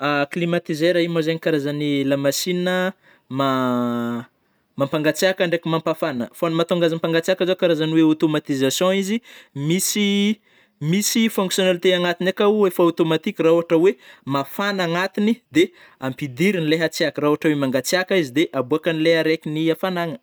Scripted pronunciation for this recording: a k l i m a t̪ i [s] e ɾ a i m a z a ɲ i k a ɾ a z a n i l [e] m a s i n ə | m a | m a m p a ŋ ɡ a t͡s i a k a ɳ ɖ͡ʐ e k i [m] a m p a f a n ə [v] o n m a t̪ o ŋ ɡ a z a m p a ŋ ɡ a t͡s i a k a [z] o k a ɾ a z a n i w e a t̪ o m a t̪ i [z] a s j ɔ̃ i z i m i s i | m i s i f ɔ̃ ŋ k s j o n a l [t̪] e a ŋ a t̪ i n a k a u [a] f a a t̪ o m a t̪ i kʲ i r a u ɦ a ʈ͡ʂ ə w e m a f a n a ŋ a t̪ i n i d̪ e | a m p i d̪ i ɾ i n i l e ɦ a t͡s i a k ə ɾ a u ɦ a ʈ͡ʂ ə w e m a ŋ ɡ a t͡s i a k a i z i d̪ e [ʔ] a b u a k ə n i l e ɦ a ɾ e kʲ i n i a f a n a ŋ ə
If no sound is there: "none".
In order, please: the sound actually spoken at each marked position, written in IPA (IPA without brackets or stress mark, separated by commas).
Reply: z, a, m, f, z, z, t̪, e, ʔ